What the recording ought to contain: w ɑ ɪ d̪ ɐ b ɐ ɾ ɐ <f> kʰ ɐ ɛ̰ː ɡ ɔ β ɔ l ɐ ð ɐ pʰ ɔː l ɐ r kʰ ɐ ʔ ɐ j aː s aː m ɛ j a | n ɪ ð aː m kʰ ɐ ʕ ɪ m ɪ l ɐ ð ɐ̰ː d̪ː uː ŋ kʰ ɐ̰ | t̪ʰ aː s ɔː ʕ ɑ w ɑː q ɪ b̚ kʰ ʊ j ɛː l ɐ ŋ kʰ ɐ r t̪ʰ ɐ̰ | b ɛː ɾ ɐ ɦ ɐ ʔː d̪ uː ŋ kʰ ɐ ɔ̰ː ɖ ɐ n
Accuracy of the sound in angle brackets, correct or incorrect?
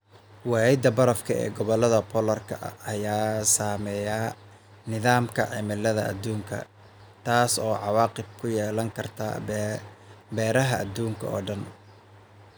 correct